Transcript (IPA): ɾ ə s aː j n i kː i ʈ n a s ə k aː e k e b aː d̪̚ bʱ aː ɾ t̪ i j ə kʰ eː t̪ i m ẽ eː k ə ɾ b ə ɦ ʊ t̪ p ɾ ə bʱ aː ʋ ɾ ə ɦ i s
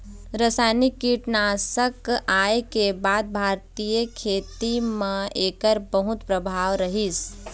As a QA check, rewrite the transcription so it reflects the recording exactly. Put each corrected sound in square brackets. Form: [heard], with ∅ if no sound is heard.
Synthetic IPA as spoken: ɾ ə s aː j n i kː i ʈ n a s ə k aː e k e b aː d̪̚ bʱ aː ɾ t̪ i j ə kʰ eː t̪ i m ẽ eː k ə ɾ b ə ɦ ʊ t̪ p ɾ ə bʱ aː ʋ ɾ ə ɦ i s

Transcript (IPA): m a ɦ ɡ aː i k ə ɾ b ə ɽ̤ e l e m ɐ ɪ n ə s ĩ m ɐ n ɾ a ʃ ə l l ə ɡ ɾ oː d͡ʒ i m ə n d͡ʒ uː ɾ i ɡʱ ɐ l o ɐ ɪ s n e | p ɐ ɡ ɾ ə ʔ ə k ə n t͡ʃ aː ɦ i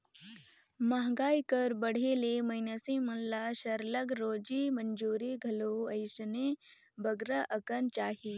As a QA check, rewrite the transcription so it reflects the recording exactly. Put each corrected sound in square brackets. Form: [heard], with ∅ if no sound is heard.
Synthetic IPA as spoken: m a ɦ ɡ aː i k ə ɾ b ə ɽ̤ e l e m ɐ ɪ n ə s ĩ m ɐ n [l] a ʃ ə [ɾ] l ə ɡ ɾ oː d͡ʒ i m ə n d͡ʒ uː ɾ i ɡʱ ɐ l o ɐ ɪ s n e | [b] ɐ ɡ ɾ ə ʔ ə k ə n t͡ʃ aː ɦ i

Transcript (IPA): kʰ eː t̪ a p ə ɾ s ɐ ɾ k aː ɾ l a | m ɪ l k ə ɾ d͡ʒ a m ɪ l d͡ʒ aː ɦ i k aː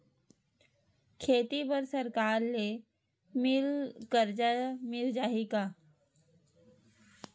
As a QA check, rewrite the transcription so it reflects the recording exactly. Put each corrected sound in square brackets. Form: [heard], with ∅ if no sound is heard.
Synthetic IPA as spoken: kʰ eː t̪ [i] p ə ɾ s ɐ ɾ k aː ɾ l [e] | m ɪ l k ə ɾ d͡ʒ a m ɪ l d͡ʒ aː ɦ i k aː

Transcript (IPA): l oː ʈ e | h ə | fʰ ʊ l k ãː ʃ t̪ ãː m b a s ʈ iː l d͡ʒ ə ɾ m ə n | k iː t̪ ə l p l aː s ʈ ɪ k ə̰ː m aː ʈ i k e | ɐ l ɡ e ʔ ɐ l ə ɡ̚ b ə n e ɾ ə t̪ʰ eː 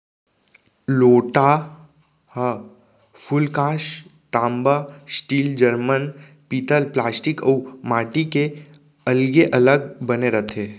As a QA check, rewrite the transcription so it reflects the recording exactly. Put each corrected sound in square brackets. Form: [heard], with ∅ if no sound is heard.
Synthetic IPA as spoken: l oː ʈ [a] | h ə | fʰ ʊ l k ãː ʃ t̪ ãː m b a s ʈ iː l d͡ʒ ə ɾ m ə n | [p] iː t̪ ə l p l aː s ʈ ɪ k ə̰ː m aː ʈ i k e | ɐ l ɡ e ʔ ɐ l ə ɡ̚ b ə n e ɾ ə t̪ʰ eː

